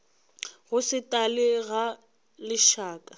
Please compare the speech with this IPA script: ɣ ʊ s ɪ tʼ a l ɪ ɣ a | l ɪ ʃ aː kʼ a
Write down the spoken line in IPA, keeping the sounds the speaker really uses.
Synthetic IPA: ɣ ʊ s ɪ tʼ a l ɪ ɣ a | l ɪ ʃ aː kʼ a